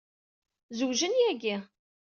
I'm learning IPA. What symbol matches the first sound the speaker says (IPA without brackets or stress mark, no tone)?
z